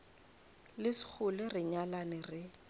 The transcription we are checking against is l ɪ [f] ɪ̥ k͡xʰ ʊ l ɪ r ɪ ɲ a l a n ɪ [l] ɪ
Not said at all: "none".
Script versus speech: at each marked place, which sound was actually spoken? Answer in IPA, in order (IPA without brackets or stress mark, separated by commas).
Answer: s, r